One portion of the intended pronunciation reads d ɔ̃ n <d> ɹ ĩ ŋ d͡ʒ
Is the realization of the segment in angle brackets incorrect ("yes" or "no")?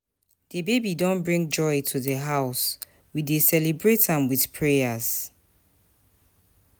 yes